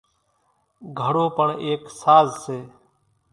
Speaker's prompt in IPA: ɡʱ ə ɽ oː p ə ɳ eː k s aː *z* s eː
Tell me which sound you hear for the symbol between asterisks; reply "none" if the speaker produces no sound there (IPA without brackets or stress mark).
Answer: z